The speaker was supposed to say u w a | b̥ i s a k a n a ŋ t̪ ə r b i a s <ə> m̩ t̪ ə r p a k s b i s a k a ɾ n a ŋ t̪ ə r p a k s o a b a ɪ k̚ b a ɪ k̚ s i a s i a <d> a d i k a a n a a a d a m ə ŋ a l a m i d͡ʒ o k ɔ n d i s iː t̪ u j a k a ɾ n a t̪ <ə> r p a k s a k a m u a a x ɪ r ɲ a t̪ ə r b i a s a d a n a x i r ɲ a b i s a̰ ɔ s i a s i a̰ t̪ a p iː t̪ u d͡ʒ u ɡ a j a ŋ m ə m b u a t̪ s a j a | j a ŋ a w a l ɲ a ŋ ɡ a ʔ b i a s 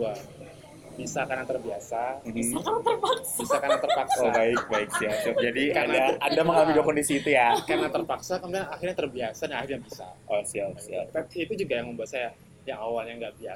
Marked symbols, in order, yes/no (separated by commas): no, no, yes